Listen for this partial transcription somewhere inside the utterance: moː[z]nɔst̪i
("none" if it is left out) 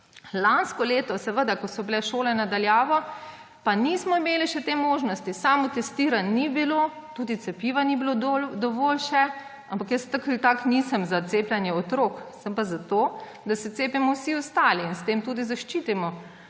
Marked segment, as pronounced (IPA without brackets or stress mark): ʒ